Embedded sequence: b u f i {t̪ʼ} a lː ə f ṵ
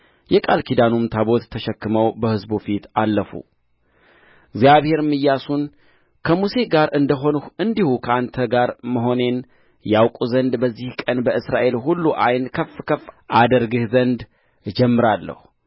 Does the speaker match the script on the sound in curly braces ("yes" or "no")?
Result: no